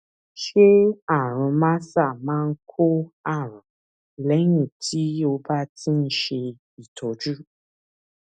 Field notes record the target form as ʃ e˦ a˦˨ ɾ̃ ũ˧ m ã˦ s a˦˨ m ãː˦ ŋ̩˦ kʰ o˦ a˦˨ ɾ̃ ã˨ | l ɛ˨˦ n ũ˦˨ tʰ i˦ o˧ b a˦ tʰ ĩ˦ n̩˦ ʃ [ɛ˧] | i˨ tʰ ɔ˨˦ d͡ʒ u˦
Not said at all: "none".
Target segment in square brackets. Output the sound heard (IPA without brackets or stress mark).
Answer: e˧